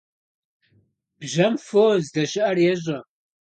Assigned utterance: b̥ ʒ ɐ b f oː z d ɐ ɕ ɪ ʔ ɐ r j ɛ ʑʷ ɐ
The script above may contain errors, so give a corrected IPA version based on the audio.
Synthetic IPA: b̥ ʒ ɐ m f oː z d ɐ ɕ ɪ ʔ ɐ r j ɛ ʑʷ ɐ

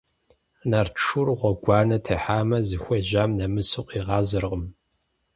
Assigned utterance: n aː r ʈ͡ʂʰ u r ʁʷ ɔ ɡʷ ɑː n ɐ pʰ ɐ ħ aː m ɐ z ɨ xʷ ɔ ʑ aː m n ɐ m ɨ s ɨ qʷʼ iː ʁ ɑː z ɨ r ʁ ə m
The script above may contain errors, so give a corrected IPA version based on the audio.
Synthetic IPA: n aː r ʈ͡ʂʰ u r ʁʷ ɔ ɡʷ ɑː n ɐ tʰ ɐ ħ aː m ɐ z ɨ xʷ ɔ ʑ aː m n ɐ m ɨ s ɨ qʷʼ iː ʁ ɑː z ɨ r ʁ ə m

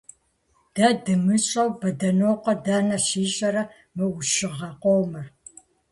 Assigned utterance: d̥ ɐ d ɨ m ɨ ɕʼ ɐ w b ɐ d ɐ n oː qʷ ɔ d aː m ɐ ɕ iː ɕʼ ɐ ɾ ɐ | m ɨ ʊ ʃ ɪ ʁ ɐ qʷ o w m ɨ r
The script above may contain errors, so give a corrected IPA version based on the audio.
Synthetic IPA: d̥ ɐ d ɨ m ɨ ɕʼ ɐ w b ɐ d ɐ n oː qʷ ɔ d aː n ɐ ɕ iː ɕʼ ɐ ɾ ɐ | m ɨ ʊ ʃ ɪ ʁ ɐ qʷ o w m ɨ r

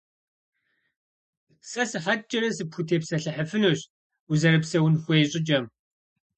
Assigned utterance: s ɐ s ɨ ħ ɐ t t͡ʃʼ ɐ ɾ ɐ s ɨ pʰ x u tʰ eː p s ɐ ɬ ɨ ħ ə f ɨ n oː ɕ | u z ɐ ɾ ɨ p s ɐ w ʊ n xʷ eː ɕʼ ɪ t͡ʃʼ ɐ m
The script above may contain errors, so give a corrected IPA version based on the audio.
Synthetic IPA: s ɐ s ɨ ħ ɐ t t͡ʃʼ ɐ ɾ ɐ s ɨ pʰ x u tʰ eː p s ɐ ɬ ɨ ħ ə f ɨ n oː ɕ | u z ɐ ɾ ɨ p s ɐ w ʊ n xʷ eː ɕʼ ɪ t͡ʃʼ ɐ m

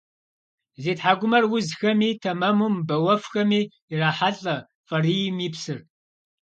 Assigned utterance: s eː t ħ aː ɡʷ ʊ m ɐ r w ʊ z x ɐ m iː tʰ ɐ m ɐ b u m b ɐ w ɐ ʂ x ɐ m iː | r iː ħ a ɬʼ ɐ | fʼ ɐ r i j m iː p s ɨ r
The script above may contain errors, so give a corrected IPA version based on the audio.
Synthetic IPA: z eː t ħ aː ɡʷ ʊ m ɐ r w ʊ z x ɐ m iː tʰ ɐ m ɐ m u m b ɐ w ɐ f x ɐ m iː | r aː ħ a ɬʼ ɐ | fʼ ɐ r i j m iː p s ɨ r

